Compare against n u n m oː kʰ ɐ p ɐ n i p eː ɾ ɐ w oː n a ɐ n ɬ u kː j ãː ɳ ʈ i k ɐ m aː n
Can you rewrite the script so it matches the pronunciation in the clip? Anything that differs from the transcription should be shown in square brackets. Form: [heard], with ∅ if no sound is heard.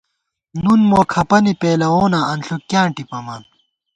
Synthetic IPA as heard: n u n m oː kʰ ɐ p ɐ n i p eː [l] ɐ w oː n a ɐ n ɬ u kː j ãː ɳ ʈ i [p] ɐ m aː n